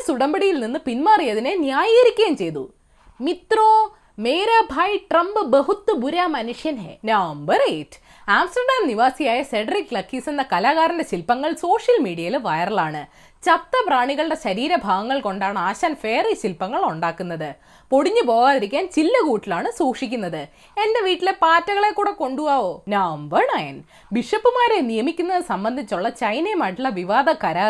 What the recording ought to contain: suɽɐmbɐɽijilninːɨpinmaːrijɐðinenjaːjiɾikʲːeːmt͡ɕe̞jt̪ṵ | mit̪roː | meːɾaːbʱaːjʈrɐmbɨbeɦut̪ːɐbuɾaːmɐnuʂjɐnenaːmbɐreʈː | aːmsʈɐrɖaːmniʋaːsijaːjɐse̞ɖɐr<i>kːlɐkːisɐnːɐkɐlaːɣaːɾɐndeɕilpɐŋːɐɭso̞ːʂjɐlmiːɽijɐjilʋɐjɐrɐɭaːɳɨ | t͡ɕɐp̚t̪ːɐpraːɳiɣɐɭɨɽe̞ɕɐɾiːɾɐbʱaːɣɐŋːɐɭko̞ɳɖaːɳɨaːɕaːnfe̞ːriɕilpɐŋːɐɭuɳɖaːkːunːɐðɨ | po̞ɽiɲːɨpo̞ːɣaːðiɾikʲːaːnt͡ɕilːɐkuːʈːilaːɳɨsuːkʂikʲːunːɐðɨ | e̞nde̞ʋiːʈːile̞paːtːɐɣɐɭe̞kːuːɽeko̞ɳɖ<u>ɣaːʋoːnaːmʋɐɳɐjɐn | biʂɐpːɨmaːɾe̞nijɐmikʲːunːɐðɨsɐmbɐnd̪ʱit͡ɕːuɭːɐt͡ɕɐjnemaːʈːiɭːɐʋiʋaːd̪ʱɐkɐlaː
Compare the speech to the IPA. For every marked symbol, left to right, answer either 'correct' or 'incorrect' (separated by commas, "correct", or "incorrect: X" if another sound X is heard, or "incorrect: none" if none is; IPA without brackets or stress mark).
correct, correct